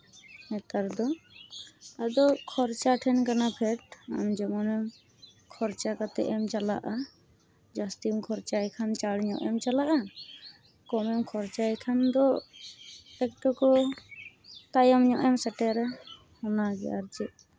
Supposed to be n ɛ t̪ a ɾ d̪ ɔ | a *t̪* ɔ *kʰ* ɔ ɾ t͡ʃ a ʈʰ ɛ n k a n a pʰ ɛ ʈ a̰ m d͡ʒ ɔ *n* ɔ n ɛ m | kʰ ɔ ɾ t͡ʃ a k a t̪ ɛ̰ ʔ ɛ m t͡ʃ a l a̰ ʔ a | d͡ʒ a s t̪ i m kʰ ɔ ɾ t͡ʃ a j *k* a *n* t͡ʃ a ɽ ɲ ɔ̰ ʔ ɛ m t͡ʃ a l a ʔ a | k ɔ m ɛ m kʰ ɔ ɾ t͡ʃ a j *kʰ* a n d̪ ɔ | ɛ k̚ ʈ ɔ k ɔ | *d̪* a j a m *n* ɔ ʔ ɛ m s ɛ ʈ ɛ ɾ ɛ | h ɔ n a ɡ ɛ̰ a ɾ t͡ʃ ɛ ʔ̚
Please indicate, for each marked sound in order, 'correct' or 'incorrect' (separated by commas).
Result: incorrect, correct, incorrect, incorrect, correct, correct, incorrect, incorrect